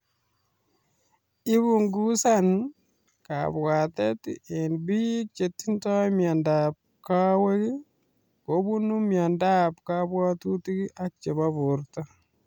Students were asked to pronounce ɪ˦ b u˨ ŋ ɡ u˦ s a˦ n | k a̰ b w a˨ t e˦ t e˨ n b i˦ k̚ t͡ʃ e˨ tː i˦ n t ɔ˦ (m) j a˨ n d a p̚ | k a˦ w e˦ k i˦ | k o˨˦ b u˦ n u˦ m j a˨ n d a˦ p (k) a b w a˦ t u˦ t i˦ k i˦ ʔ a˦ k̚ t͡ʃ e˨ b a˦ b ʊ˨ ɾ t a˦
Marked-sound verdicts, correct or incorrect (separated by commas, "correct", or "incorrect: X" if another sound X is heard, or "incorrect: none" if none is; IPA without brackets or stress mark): correct, correct